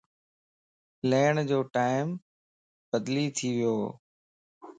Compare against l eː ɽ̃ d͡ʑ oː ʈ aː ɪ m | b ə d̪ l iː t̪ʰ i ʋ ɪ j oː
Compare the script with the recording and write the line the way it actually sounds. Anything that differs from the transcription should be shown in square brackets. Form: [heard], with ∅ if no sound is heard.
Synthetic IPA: l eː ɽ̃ d͡ʑ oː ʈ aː ɪ m | b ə d̪ l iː t̪ʰ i ʋ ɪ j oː